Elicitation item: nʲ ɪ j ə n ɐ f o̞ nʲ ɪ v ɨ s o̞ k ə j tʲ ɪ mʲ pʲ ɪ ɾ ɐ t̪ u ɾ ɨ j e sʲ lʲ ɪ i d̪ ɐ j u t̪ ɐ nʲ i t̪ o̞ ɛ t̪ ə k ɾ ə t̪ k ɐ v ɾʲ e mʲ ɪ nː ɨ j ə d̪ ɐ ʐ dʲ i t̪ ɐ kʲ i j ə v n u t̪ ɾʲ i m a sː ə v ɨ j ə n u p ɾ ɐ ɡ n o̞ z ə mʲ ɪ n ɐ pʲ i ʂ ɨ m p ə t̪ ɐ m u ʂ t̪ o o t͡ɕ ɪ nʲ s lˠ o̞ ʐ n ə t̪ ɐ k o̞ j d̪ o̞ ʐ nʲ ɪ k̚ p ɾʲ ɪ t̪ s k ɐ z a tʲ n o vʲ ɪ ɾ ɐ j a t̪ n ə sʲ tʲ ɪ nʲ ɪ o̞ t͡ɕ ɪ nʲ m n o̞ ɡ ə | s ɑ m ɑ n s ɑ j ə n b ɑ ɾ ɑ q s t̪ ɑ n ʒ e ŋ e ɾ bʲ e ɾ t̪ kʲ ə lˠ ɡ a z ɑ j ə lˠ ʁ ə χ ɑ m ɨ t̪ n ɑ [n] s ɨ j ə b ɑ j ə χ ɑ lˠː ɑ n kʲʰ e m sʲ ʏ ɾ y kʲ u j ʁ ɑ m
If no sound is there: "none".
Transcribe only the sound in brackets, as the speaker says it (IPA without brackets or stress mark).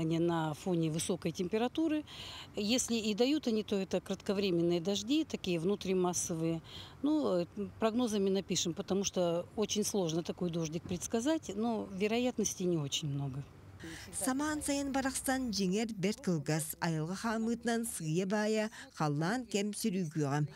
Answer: n